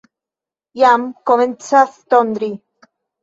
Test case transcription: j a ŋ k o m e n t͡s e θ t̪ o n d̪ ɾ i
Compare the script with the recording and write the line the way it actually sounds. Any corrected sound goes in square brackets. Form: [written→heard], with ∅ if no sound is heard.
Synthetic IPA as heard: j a [ŋ→m] k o m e n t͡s [e→a] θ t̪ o n d̪ ɾ i